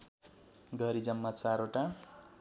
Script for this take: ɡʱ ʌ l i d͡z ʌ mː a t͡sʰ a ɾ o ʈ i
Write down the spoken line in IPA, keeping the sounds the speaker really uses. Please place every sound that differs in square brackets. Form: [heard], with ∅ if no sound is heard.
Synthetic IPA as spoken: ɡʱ ʌ [ɾ] i d͡z ʌ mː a [t͡s] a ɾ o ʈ [a]